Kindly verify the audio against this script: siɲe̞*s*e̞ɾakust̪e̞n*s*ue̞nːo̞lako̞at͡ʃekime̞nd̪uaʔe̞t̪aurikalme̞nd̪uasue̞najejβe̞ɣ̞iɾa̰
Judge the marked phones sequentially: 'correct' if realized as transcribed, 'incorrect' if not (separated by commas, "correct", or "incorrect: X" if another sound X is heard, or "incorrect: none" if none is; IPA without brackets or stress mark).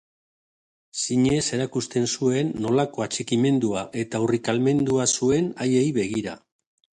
correct, correct